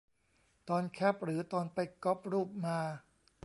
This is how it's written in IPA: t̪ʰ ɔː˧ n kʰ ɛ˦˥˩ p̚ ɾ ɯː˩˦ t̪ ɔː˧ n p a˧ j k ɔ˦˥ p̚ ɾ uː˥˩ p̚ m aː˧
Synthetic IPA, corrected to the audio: t̪ ɔː˧ n kʰ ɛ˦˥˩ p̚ ɾ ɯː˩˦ t̪ ɔː˧ n p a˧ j k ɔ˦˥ p̚ ɾ uː˥˩ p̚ m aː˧